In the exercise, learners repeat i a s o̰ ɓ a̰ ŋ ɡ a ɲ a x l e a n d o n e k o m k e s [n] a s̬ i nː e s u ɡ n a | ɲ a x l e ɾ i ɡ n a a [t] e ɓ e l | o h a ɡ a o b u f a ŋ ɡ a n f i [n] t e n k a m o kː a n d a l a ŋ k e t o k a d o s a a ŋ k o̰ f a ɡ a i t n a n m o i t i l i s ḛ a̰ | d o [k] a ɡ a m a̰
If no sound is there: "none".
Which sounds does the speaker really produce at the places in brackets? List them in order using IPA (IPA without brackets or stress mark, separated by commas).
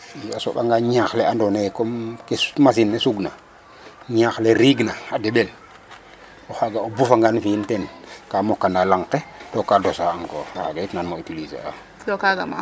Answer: m, d, n, k